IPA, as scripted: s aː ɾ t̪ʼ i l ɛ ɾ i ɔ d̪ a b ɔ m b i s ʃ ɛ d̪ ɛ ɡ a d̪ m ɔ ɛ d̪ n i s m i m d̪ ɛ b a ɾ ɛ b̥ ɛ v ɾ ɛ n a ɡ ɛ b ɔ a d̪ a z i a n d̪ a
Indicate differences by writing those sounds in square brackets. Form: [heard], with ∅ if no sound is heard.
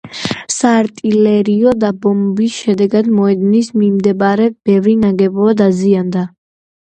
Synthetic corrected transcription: s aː ɾ t̪ʼ i l ɛ ɾ i ɔ d̪ a b ɔ m b i s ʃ ɛ d̪ ɛ ɡ a d̪ m ɔ ɛ d̪ n i s m i m d̪ ɛ b a ɾ ɛ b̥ ɛ v ɾ [i] n a ɡ ɛ b ɔ a d̪ a z i a n d̪ a

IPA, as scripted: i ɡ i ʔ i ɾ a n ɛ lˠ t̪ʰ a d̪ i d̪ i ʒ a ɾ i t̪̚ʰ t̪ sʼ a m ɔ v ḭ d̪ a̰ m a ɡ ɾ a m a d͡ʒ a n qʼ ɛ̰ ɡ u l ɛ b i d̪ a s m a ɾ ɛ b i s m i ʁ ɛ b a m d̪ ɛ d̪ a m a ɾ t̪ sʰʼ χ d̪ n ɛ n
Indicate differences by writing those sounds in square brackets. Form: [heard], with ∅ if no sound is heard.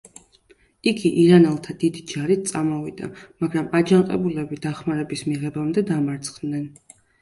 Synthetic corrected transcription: i ɡ i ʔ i ɾ a n ɛ lˠ t̪ʰ a d̪ i d̪ i [d͡ʒ] a ɾ i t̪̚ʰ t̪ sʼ a m ɔ v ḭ d̪ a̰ m a ɡ ɾ a m a d͡ʒ a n qʼ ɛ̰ [b] u l ɛ b i d̪ a [χ] m a ɾ ɛ b i s m i ʁ ɛ b a m d̪ ɛ d̪ a m a ɾ t̪ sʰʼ χ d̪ n ɛ n

